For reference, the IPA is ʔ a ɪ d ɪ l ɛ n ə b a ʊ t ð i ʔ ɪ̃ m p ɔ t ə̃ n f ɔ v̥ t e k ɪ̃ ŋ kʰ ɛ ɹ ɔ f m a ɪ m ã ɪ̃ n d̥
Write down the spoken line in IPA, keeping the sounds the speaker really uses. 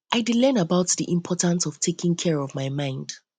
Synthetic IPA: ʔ a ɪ d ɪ l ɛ n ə b a ʊ t ð i ʔ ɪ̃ m pʰ ɔ t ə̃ n s ɔ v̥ tʰ e k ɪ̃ ŋ kʰ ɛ ɹ ɔ v m a ɪ m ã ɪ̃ n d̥